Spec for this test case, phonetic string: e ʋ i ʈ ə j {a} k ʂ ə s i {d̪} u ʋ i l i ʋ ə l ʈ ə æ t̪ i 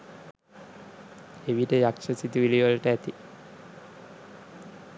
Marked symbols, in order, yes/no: yes, no

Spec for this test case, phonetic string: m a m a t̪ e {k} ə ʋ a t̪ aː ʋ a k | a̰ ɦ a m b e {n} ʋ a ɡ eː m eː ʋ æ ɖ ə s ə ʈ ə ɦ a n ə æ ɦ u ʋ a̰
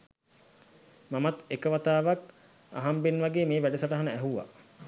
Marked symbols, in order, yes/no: yes, yes

